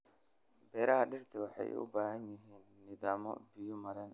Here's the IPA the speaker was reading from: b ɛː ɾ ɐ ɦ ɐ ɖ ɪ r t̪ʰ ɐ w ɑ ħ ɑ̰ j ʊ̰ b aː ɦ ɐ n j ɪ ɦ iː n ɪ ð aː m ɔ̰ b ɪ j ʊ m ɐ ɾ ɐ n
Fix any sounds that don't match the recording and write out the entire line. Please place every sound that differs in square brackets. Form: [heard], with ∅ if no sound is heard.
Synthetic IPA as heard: b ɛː ɾ ɐ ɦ ɐ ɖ ɪ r t̪ʰ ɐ w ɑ ħ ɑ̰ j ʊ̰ b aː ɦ ɐ n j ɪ ɦ iː [nː] ɪ ð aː m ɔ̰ b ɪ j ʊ m ɐ ɾ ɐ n